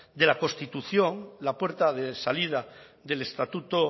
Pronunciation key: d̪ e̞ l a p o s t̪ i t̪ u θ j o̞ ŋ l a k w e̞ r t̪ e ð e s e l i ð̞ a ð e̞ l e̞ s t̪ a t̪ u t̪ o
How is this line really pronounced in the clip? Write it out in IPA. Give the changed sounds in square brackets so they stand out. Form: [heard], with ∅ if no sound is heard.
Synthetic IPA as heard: d̪ e̞ l a [k] o s t̪ i t̪ u θ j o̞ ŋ l a [p] w e̞ [ɾ] t̪ [a] ð e s [a] l i ð̞ a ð e̞ l e̞ s t̪ a t̪ u t̪ o